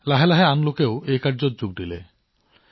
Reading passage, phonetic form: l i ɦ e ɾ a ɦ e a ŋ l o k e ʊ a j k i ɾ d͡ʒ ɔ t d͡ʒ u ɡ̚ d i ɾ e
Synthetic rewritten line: l a ɦ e l a ɦ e a n l o k e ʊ e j k a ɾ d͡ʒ ɔ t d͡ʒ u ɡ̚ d i l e